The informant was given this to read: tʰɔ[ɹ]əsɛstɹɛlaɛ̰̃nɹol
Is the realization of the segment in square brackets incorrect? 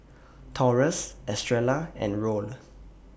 no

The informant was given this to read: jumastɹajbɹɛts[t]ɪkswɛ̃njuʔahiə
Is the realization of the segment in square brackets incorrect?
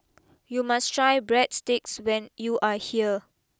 no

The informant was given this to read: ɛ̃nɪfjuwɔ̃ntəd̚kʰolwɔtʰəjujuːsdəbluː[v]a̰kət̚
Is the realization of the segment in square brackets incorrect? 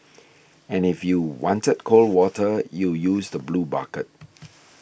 yes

